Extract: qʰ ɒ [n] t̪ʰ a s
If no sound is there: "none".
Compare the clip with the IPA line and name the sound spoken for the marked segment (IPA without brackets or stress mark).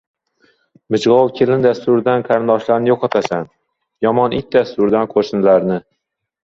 none